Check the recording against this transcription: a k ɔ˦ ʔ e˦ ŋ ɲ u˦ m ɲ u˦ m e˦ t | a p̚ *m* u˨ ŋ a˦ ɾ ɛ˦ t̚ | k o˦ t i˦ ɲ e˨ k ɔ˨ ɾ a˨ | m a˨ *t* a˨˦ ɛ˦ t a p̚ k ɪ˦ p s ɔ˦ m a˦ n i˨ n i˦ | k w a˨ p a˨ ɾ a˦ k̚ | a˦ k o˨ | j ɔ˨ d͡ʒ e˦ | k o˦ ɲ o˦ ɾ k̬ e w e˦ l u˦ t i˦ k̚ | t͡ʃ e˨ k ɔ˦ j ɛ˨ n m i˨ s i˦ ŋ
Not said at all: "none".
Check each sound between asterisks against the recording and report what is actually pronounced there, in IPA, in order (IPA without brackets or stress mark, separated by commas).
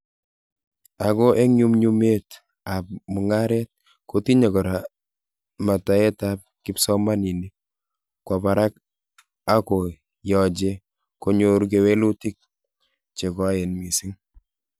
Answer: m, t